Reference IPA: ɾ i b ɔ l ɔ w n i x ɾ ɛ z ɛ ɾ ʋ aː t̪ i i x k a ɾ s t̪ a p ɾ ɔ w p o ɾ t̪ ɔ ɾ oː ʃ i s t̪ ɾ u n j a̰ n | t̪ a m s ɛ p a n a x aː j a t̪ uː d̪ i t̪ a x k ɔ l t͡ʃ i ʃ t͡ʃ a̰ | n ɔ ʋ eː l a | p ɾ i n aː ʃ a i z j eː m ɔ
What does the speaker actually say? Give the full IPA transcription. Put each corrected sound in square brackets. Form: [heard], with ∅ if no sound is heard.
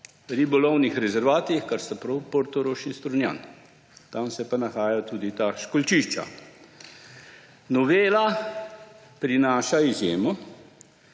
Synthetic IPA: ɾ i b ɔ l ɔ w n i x ɾ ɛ z ɛ ɾ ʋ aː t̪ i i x k a ɾ s t̪ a p ɾ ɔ w p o ɾ t̪ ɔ ɾ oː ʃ i s t̪ ɾ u n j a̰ n | t̪ a m s ɛ p a n a x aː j a t̪ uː d̪ i t̪ a [ʃ] k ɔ l t͡ʃ i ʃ t͡ʃ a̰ | n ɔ ʋ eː l a | p ɾ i n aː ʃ a i z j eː m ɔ